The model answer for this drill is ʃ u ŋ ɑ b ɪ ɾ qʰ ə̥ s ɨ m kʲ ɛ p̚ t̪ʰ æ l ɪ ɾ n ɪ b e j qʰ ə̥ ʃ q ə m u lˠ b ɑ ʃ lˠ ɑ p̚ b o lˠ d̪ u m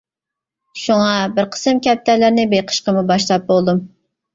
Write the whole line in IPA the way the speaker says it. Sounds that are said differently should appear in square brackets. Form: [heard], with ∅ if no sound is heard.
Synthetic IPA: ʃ u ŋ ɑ b ɪ ɾ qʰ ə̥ s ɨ m kʲ ɛ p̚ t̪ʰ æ l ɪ ɾ n ɪ b e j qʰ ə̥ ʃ q ə m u [∅] b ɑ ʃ lˠ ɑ p̚ b o lˠ d̪ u m